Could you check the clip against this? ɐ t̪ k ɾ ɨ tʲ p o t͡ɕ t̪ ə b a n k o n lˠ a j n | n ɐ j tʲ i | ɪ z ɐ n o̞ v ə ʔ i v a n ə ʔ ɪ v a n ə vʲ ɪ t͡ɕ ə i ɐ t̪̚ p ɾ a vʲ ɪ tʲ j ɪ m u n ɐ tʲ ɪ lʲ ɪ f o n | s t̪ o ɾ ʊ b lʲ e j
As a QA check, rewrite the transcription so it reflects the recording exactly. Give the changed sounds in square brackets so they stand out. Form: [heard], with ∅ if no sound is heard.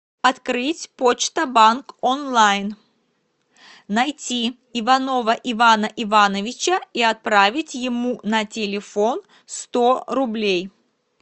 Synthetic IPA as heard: ɐ t̪ k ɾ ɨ tʲ p o t͡ɕ t̪ ə b a n k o n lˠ a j n | n ɐ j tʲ i | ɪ [v] ɐ n o̞ v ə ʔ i v a n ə ʔ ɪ v a n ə vʲ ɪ t͡ɕ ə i ɐ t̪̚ p ɾ a vʲ ɪ tʲ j ɪ m u n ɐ tʲ ɪ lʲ ɪ f o n | s t̪ o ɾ ʊ b lʲ e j